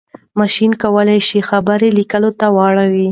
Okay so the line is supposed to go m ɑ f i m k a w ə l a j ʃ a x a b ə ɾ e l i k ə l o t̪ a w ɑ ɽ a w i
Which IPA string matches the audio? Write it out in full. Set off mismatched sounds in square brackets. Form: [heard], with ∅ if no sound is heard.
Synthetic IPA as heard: m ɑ [ʃ] i [n] k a w ə l a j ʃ [i] x a b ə ɾ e l i k ə l o t̪ a w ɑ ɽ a w i